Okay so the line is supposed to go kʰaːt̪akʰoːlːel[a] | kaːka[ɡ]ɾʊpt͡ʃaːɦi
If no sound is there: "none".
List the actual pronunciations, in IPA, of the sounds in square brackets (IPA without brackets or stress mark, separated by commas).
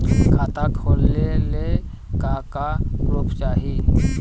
e, ɡ